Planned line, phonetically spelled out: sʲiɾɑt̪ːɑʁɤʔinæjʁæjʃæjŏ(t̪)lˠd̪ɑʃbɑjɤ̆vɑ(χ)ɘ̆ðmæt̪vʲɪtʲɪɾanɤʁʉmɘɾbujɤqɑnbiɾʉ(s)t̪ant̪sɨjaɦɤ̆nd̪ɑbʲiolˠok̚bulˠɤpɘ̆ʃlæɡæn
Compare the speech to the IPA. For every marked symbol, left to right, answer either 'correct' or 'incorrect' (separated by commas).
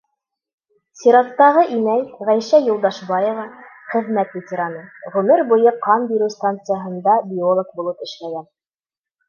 incorrect, correct, correct